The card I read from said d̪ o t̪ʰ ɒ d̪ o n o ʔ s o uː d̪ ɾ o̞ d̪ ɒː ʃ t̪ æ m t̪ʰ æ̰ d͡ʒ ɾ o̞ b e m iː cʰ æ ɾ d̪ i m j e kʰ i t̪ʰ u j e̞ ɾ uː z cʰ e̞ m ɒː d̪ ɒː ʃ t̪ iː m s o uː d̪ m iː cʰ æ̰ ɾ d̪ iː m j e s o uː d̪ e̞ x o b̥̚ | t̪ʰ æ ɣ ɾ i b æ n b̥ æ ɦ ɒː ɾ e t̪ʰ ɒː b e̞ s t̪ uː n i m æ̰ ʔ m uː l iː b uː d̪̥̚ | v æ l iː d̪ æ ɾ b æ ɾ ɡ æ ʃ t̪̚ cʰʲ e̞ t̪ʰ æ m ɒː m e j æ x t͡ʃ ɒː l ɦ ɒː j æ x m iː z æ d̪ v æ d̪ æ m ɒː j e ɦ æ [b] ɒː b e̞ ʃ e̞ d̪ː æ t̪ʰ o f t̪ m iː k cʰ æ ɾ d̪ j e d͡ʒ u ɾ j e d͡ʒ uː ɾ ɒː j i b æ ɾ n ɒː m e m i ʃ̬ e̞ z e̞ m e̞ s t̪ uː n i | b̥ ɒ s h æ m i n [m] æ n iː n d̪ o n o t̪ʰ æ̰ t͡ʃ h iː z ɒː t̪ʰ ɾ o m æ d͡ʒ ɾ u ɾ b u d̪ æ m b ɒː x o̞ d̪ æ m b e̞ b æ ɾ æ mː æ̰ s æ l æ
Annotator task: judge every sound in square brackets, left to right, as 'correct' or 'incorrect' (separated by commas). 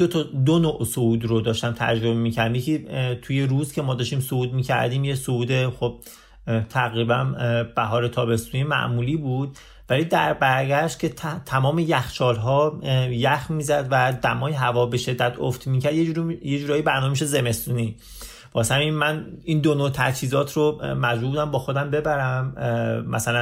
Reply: incorrect, correct